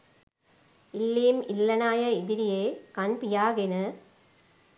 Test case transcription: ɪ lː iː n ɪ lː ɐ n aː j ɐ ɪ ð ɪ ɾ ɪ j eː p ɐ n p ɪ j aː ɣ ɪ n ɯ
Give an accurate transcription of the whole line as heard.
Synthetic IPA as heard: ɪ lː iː m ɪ lː ɐ n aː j ɐ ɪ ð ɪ ɾ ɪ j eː k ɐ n p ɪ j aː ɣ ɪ n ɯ